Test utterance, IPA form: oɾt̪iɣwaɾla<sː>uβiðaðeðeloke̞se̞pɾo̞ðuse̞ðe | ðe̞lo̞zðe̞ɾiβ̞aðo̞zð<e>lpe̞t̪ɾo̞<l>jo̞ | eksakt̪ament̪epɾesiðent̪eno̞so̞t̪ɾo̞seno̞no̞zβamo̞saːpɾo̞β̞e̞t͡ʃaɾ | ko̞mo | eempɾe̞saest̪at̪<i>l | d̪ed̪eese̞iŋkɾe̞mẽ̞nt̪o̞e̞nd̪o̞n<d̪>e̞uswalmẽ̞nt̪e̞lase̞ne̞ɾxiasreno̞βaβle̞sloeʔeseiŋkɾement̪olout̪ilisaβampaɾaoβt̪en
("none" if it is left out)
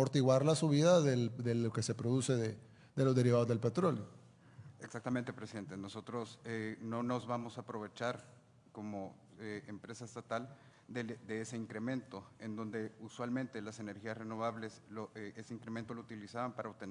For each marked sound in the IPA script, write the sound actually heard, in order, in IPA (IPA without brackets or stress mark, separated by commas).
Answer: s, e, l, a, d̪